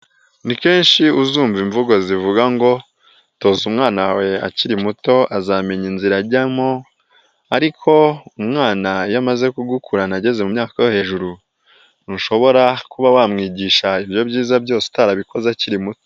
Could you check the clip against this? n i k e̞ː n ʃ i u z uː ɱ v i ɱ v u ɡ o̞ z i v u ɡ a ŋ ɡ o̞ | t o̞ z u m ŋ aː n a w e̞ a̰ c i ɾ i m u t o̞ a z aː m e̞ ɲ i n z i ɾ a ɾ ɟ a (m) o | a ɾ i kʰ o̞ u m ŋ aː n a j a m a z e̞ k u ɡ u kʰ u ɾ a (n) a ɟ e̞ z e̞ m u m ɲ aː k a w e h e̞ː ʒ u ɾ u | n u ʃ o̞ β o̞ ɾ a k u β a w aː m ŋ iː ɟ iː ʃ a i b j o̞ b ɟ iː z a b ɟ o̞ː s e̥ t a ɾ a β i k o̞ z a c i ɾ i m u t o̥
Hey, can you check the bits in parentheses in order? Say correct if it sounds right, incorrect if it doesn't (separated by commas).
correct, correct